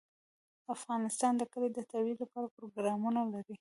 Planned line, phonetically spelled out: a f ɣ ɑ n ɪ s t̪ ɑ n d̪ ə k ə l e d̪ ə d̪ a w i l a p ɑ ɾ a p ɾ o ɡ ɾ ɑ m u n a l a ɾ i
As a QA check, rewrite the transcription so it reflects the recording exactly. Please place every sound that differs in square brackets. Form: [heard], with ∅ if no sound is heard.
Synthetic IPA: a f ɣ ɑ n ɪ s t̪ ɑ n d̪ ə k ə l e d̪ ə [t̪] a w i l a p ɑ ɾ a p ɾ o ɡ ɾ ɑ m u n a l a ɾ i